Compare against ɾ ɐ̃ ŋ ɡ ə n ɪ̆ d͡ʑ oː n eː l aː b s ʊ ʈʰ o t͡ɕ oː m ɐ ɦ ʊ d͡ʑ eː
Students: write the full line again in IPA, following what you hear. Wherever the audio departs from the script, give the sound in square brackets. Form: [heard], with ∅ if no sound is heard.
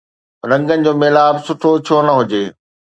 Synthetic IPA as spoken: ɾ ɐ̃ ŋ ɡ ə n ɪ̆ d͡ʑ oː [m] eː l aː b s ʊ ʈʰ o [t͡ɕʰ] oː [n] ɐ ɦ ʊ d͡ʑ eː